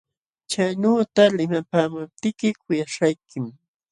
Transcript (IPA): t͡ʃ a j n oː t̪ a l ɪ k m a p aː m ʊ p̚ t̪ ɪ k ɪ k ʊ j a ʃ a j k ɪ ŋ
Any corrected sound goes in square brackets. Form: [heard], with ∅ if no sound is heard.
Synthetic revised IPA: t͡ʃ a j n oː t̪ a l ɪ [∅] m a p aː m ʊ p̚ t̪ ɪ k ɪ k ʊ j a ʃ a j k ɪ [m]

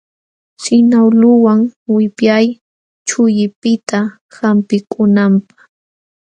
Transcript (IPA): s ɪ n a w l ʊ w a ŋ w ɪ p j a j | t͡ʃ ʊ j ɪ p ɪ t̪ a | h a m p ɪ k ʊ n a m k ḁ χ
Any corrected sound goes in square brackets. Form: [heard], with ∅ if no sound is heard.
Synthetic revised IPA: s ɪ n a w l ʊ w a ŋ w ɪ p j a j | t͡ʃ ʊ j ɪ p ɪ t̪ a | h a m p ɪ k ʊ n a m [p] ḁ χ

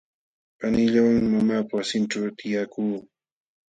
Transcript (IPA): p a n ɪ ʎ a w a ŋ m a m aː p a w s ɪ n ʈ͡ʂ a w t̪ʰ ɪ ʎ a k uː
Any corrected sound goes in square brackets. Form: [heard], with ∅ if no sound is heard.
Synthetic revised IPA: p a n ɪ ʎ a w a ŋ m a m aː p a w s ɪ n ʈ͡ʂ a w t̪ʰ ɪ [j] a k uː

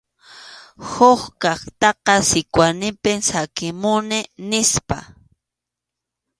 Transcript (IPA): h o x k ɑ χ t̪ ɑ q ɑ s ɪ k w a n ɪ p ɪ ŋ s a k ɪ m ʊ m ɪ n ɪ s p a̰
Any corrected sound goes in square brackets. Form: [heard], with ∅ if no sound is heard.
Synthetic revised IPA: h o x k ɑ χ t̪ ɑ q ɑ s ɪ k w a n ɪ p ɪ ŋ s a k ɪ m ʊ [n] ɪ n ɪ s p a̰

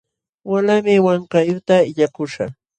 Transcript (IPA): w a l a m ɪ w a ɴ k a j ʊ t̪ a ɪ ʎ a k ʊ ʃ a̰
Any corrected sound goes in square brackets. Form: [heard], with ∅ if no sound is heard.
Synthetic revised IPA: w a l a m ɪ w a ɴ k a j ʊ t̪ a ɪ ʎ a k ʊ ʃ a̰

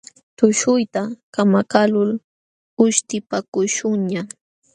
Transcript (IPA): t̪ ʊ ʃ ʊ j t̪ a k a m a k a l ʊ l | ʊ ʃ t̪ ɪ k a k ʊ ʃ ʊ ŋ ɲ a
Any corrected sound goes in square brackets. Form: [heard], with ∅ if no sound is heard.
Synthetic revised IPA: t̪ ʊ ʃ ʊ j t̪ a k a m a k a l ʊ l | ʊ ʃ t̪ ɪ [p] a k ʊ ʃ ʊ ŋ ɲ a

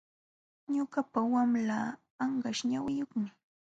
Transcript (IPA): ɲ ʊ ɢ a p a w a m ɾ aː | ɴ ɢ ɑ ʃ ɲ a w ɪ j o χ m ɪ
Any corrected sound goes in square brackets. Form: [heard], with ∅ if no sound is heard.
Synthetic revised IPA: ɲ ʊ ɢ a p a w a m [l] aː | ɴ ɢ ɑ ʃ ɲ a w ɪ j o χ m ɪ

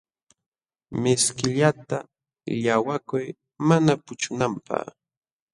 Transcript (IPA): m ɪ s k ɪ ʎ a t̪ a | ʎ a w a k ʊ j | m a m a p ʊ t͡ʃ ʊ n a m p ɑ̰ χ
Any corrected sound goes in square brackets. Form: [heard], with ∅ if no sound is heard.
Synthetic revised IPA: m ɪ s k ɪ ʎ a t̪ a | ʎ a w a k ʊ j | m a [n] a p ʊ t͡ʃ ʊ n a m p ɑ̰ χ

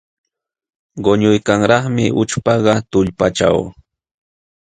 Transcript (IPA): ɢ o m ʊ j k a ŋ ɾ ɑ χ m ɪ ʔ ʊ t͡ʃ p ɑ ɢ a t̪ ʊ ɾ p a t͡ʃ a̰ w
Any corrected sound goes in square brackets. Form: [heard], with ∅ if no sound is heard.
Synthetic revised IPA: ɢ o [ɲ] ʊ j k a ŋ ɾ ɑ χ m ɪ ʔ ʊ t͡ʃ p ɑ ɢ [ɑ] t̪ ʊ [ʎ] p a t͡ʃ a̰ w

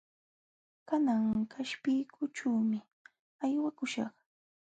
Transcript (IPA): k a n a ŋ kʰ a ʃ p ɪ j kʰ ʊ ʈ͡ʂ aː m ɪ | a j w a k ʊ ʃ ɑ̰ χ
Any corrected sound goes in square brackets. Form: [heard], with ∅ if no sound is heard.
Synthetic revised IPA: k a n a ŋ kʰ a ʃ p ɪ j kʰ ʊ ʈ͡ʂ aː m ɪ | a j w a k ʊ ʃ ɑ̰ χ

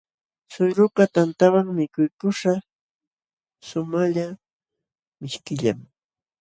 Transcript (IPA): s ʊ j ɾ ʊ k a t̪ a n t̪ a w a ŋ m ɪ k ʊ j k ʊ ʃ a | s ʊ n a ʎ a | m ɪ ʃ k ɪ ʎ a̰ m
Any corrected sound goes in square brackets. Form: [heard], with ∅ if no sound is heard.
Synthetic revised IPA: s ʊ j ɾ ʊ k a t̪ a n t̪ a w a ŋ m ɪ k ʊ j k ʊ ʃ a | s ʊ [m] a ʎ a | m ɪ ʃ k ɪ ʎ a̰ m

